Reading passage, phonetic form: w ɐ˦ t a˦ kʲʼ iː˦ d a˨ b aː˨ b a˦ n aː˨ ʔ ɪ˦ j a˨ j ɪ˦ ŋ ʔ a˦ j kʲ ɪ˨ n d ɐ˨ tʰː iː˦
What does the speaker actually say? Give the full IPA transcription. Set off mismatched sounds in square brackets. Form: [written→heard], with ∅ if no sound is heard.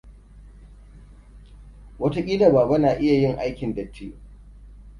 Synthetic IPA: w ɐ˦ t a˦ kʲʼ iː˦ d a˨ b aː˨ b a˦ n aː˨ ʔ ɪ˦ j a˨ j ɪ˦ ŋ ʔ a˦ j kʲ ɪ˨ n d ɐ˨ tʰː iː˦